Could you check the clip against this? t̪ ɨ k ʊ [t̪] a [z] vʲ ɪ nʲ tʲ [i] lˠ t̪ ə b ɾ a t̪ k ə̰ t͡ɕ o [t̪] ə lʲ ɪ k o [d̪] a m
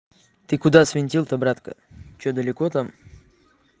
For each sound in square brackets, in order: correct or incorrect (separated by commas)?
incorrect, incorrect, correct, incorrect, incorrect